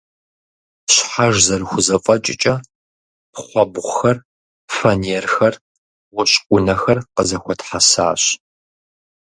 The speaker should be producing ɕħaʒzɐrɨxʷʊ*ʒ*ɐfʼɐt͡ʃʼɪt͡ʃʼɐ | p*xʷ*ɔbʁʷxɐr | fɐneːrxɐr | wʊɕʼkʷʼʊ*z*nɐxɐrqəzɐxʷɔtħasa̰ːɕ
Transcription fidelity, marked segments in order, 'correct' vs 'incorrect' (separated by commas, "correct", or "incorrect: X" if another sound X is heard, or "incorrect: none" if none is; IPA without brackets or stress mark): incorrect: z, incorrect: χʷ, incorrect: none